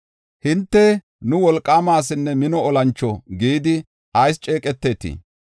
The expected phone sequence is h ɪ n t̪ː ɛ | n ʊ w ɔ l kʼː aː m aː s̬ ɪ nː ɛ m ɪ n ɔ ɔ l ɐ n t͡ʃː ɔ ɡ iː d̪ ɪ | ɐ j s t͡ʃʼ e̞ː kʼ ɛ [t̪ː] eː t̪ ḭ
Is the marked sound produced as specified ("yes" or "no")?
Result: yes